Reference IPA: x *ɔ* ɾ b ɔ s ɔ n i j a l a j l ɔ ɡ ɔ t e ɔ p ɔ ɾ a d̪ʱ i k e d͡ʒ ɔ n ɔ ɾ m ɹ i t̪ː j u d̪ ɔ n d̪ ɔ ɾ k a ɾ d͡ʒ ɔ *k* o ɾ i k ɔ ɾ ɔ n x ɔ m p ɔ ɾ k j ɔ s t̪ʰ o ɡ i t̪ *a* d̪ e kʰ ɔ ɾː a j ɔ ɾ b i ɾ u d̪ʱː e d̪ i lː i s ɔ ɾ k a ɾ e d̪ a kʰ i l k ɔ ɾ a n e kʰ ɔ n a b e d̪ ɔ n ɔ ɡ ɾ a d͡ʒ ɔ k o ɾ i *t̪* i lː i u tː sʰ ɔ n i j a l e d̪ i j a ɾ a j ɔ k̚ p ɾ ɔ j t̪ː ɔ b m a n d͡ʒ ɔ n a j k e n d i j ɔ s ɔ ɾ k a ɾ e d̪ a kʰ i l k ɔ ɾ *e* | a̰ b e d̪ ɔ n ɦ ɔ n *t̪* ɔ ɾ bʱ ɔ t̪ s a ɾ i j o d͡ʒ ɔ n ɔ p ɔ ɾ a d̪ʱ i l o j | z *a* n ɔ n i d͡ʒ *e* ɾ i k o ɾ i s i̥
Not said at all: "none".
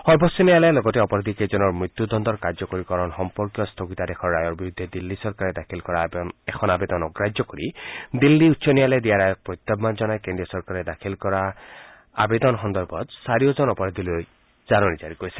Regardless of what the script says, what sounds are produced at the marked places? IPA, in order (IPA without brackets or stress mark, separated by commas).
ɔ, k, a, d̪, a, d̪, a, a